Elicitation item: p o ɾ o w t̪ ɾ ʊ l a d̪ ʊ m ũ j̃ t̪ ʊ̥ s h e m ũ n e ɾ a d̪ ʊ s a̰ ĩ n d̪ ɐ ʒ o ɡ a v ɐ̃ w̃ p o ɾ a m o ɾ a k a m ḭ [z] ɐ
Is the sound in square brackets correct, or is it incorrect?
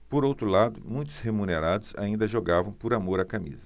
correct